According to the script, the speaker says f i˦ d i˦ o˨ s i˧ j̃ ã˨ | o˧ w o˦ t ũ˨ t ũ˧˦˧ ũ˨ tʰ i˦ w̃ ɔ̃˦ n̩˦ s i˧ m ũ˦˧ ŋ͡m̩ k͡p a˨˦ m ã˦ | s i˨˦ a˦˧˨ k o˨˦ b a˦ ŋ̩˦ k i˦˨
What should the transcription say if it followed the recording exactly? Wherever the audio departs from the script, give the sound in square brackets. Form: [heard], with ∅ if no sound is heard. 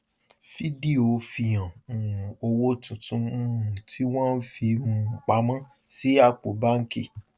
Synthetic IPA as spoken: f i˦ d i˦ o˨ [f] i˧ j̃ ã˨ | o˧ w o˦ t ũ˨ t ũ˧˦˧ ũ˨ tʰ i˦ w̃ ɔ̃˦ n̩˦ [f] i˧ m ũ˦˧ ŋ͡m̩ k͡p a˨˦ m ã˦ | s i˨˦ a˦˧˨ [k͡p] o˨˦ b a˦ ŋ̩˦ k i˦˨